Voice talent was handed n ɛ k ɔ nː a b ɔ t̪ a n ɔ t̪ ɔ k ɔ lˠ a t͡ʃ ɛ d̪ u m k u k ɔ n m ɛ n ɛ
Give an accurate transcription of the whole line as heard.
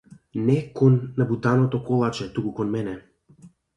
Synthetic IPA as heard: n ɛ k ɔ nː a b u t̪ a n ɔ t̪ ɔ k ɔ lˠ a t͡ʃ ɛ t̪ u k u k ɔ n m ɛ n ɛ